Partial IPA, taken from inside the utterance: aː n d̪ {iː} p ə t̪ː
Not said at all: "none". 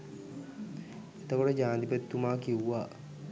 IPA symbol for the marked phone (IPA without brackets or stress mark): i